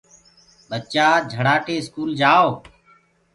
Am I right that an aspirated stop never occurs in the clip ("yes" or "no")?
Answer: yes